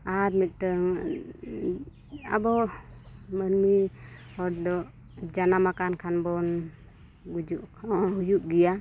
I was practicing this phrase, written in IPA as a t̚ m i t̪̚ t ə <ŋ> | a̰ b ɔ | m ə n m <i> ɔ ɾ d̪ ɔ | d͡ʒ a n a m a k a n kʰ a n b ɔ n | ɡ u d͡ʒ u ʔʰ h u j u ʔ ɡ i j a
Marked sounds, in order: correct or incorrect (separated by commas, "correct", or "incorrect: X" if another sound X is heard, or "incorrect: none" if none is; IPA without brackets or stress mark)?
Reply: correct, correct